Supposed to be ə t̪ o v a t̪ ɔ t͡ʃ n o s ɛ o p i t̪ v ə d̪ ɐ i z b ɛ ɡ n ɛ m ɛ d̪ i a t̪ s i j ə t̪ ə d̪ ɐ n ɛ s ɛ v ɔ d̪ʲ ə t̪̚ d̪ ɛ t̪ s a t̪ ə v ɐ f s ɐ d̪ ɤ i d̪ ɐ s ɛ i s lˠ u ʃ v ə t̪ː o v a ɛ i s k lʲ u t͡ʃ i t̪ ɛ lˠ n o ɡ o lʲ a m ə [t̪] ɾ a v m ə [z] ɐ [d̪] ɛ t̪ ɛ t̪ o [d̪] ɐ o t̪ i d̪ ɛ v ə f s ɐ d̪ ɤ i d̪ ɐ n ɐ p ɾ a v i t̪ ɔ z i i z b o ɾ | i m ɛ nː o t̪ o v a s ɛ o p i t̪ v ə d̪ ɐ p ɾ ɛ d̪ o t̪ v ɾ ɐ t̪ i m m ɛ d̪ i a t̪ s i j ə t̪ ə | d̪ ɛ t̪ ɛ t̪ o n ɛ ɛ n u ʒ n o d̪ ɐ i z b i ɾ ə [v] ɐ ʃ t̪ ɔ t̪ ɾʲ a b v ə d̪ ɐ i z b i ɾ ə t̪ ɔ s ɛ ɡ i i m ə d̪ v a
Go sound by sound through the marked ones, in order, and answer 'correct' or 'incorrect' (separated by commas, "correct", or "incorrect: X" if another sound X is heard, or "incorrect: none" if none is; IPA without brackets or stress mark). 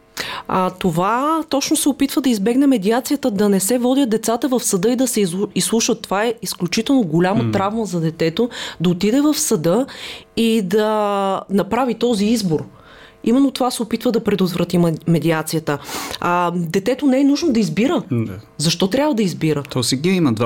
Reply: correct, correct, correct, correct, incorrect: z